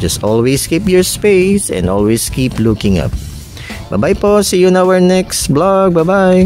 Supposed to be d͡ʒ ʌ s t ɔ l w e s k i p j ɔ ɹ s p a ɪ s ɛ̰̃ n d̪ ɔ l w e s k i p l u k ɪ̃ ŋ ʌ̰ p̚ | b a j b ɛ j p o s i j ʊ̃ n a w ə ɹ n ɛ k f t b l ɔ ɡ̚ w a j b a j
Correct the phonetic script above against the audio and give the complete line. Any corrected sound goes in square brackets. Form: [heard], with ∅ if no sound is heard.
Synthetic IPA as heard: d͡ʒ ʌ s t ɔ l w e s k i p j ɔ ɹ s p [e] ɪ s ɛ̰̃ n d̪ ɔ l w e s k i p l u k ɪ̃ ŋ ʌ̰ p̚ | b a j b [a] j p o s i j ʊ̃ n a w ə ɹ n ɛ k [s] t b l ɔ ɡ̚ [b] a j b a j